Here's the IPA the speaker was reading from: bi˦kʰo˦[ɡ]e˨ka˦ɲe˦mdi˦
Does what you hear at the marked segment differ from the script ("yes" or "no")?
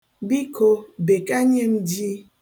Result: yes